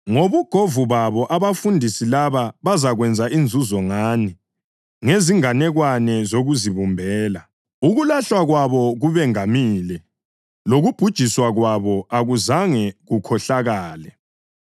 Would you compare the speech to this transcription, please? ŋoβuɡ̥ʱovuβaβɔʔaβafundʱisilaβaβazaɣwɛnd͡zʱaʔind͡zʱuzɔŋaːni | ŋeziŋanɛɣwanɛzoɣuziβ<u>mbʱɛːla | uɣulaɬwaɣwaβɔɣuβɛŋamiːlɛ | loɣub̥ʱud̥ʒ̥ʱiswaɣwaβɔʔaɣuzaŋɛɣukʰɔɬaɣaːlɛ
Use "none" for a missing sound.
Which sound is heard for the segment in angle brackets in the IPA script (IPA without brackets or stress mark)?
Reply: u